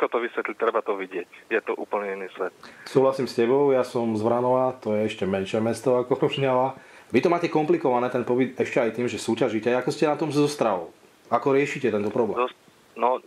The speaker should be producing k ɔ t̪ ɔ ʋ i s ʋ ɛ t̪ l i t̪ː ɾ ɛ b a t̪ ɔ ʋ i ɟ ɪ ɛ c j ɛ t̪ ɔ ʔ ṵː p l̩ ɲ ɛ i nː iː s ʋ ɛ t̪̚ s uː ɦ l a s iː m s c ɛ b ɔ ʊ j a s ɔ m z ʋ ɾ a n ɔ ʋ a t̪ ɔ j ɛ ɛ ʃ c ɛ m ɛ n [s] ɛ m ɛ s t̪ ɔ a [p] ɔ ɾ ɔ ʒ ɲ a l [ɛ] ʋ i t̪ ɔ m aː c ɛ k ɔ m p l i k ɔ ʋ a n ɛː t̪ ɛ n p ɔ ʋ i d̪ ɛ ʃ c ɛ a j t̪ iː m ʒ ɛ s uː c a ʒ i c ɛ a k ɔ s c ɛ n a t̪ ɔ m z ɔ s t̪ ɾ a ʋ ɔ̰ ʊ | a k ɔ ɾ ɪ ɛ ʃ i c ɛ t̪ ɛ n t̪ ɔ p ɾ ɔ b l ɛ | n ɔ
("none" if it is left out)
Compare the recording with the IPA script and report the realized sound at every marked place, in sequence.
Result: ʃ, k, a

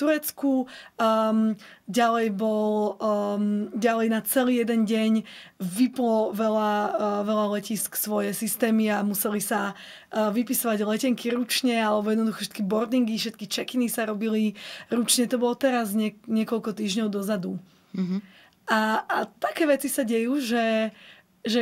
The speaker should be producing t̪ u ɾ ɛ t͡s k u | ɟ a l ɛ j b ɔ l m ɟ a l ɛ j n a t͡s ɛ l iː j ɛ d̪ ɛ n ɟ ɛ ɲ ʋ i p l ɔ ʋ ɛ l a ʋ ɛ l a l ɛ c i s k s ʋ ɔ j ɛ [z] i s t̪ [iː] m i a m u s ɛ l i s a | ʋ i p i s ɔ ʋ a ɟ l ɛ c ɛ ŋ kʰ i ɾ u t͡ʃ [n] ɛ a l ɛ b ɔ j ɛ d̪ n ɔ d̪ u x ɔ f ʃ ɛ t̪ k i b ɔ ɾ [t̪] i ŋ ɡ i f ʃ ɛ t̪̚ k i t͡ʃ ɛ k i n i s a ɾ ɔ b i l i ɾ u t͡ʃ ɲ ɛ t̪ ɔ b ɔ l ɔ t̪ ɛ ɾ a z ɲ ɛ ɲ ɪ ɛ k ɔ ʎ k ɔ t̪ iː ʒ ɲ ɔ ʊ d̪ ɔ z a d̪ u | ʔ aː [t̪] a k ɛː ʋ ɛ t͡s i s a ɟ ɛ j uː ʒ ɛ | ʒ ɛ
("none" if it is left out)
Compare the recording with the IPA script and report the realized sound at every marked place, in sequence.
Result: s, ɛː, ɲ, d̪, t̪

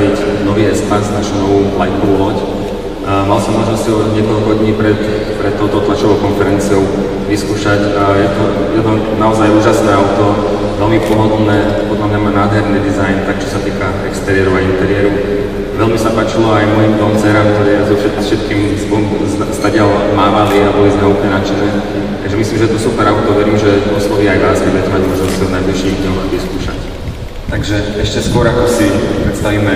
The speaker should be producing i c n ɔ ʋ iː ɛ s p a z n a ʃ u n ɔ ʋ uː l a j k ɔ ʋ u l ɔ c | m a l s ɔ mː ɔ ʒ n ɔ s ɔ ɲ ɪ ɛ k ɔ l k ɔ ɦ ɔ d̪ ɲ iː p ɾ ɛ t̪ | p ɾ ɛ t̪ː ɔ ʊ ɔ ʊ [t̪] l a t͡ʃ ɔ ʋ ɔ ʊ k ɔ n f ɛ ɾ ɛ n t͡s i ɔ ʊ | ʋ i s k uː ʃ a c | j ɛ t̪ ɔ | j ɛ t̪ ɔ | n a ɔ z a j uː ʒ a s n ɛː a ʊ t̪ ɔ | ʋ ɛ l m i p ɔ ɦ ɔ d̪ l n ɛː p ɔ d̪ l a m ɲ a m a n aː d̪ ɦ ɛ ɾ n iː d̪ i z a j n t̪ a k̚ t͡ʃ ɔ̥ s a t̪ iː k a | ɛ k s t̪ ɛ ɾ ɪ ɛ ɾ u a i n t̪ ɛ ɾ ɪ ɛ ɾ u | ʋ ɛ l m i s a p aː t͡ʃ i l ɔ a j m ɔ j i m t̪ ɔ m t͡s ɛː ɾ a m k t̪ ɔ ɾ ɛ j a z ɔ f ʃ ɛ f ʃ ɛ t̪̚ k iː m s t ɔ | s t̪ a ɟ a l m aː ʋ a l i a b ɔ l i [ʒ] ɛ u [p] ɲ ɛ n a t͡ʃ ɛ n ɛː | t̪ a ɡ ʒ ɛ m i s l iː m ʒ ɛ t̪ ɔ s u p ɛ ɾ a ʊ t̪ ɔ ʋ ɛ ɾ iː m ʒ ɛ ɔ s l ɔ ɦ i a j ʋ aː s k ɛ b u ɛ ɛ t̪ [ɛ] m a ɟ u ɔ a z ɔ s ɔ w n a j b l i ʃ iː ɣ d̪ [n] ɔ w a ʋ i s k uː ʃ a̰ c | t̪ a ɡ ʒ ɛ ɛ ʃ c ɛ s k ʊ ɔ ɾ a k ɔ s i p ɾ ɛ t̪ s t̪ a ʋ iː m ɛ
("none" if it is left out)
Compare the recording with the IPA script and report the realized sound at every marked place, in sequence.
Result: t̪, z, p, ɛ, ɲ

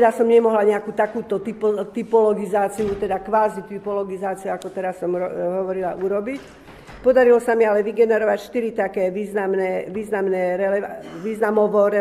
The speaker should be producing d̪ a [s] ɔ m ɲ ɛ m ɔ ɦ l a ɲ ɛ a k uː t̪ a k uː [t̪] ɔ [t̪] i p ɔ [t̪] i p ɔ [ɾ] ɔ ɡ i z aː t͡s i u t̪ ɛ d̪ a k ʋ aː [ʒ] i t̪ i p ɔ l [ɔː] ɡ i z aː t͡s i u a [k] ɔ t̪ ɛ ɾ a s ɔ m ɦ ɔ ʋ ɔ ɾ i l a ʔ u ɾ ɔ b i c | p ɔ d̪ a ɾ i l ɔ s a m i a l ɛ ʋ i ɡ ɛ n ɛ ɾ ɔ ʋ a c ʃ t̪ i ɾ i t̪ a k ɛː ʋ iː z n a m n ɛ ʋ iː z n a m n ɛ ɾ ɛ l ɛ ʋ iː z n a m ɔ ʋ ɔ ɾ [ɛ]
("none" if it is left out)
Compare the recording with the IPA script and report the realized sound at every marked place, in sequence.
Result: s, t̪, t̪, t̪, l, z, ɔ, k, ɛ

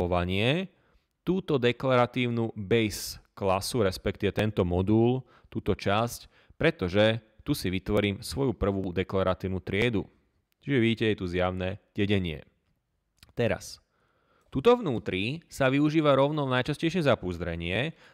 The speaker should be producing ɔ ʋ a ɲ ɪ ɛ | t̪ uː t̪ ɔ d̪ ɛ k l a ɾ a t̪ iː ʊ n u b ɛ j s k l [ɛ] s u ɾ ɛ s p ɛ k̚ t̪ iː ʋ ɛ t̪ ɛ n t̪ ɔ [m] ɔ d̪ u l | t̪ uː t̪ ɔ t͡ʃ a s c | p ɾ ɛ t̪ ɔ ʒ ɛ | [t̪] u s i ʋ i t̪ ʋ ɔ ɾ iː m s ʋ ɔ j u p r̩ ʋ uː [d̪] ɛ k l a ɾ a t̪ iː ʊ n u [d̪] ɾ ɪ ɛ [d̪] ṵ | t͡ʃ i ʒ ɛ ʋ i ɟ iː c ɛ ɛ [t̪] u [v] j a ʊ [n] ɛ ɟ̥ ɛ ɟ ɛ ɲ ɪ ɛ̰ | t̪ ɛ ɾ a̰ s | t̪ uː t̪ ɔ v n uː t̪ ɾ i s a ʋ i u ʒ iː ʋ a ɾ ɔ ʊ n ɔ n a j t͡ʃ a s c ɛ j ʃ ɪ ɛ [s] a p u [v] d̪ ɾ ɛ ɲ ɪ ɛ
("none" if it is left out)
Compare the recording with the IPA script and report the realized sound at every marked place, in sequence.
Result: a, m, t̪, d̪, t̪, d̪, t̪, z, n, z, z

